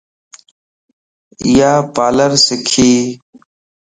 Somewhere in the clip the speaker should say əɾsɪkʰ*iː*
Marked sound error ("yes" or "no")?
no